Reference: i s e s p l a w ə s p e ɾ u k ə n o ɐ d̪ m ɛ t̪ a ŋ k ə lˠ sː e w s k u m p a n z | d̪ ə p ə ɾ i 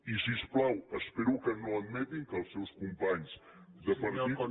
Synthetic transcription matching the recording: i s i s p l a w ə s p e ɾ u k ə n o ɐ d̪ m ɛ t̪ i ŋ k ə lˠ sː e w s k u m p a ɲ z | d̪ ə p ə ɾ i